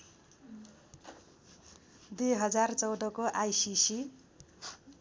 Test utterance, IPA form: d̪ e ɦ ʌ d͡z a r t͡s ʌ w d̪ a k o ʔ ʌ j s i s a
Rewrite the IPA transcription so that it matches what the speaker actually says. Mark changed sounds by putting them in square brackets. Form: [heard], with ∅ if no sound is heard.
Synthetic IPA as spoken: d̪ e ɦ ʌ d͡z a r t͡s ʌ w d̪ [ʌ] k o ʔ [a] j s i s [i]

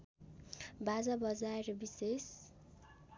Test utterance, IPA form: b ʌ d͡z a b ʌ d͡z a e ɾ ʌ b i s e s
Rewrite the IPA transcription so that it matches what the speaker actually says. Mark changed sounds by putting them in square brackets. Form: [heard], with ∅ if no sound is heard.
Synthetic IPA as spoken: b [a] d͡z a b ʌ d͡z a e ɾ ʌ b i s e s

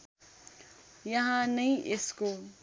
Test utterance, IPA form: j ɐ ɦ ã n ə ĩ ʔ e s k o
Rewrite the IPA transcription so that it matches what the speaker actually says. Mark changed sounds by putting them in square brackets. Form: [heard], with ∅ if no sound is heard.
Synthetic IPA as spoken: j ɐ ɦ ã n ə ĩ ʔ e s k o

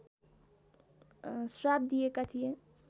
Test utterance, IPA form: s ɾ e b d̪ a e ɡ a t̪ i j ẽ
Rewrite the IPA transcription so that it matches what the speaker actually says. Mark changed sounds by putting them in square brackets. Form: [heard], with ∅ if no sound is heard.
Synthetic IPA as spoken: s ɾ [a] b d̪ [i] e [k] a [t̪ʰ] i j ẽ

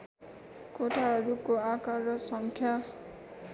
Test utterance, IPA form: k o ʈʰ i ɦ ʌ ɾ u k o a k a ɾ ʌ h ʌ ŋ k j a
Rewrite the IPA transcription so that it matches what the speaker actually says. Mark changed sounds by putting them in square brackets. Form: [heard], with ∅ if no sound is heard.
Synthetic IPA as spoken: k o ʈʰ [a] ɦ ʌ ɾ u k o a k a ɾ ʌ [s] ʌ ŋ [kʰ] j a

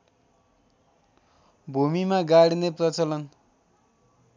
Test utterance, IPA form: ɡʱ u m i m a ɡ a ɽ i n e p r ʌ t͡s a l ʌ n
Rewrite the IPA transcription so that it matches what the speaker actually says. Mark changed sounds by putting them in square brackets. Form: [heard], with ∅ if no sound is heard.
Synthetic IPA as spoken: [bʱ] u m i m a ɡ a ɽ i n e p r ʌ t͡s [ʌ] l ʌ n

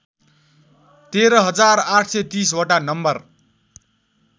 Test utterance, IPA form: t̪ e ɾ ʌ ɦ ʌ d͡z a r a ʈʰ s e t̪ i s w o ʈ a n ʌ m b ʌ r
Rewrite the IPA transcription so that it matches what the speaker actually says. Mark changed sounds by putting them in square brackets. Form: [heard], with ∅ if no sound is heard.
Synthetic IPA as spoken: t̪ e ɾ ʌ ɦ ʌ d͡z a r a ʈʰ s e t̪ i s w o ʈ a n ʌ m b ʌ r

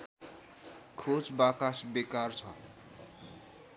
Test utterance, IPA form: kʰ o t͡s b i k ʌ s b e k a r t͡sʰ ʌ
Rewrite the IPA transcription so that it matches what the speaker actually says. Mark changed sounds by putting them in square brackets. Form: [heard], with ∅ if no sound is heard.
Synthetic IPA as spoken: kʰ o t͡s b [a] k [a] s b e k a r t͡sʰ ʌ

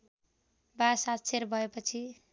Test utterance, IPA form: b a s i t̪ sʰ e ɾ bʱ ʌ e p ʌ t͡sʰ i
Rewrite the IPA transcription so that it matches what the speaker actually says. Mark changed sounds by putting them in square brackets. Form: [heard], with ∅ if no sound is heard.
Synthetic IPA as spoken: b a s [a] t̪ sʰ e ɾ bʱ ʌ e p ʌ t͡sʰ i

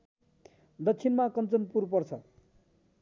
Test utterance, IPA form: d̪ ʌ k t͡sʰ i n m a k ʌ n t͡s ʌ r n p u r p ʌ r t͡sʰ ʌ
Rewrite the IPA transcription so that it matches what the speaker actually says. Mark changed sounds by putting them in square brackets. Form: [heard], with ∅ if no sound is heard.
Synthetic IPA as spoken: d̪ ʌ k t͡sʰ i n m a k ʌ n t͡s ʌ [∅] n p u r p ʌ r t͡sʰ ʌ

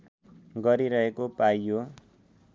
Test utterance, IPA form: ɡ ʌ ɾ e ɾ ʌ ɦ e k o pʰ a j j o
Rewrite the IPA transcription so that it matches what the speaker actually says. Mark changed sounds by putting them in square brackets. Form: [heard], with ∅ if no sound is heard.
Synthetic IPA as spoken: ɡ ʌ ɾ [i] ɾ ʌ ɦ e k o [p] a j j o

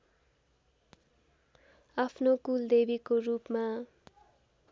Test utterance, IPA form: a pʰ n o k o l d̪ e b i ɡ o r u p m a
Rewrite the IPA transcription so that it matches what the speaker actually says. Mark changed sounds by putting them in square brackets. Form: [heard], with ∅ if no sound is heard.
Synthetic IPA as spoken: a pʰ n o k [u] l d̪ e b i [k] o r u p m a

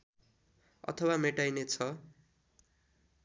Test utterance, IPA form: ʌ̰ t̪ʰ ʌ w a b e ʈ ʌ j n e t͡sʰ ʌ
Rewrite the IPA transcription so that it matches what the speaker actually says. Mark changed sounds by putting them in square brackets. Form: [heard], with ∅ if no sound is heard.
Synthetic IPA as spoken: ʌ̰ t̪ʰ ʌ w a [m] e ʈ [a] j n e t͡sʰ ʌ

